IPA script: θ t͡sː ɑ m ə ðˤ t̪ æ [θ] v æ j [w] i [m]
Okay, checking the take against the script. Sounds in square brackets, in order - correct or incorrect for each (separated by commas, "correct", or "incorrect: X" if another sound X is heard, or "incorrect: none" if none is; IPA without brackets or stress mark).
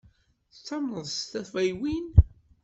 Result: correct, correct, incorrect: n